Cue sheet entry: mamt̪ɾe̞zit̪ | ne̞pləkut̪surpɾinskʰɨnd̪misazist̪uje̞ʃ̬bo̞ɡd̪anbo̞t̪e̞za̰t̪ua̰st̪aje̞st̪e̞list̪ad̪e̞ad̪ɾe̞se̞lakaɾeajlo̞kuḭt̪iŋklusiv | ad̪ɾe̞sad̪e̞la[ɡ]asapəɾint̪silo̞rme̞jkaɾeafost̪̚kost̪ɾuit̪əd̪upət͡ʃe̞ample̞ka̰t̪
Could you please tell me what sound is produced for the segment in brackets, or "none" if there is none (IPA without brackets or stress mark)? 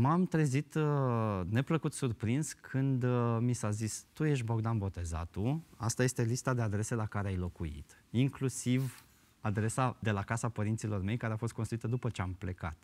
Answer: k